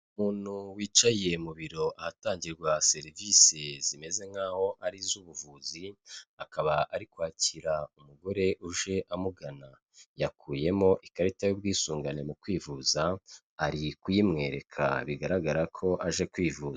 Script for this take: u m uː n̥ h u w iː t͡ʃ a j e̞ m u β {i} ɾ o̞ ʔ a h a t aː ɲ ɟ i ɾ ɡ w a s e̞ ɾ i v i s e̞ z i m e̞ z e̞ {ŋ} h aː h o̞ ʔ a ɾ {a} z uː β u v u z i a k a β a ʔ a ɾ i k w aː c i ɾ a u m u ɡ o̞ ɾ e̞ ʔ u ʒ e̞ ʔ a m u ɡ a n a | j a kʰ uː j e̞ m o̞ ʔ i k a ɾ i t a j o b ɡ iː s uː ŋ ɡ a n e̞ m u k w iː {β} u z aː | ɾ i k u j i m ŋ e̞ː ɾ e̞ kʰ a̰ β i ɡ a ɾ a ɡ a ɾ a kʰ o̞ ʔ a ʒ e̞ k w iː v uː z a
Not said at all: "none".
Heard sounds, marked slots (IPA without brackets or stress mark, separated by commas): i, ŋ, i, v